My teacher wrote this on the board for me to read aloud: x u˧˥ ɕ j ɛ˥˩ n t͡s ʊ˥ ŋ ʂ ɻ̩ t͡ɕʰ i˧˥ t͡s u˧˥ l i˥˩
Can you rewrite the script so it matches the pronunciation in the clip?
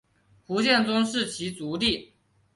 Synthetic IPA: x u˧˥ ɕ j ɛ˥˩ n t͡s ʊ˥ ŋ ʂ ɻ̩ t͡ɕʰ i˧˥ t͡s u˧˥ l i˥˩